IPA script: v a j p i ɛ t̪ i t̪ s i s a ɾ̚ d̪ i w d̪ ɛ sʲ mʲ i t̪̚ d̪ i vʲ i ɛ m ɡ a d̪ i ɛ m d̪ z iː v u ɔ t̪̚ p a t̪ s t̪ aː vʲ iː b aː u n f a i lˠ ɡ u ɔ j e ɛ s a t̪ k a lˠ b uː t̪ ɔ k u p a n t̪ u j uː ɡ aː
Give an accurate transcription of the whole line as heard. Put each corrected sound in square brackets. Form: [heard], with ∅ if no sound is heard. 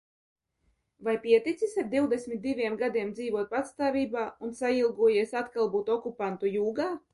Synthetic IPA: v a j p i ɛ t̪ i t̪ s i s a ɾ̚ d̪ i w d̪ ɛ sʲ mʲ i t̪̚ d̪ i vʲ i ɛ m ɡ a d̪ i ɛ m d̪ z iː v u ɔ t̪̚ p a t̪ s t̪ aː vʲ iː b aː u n [s] a i lˠ ɡ u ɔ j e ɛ s a t̪ k a lˠ b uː t̪ ɔ k u p a n t̪ u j uː ɡ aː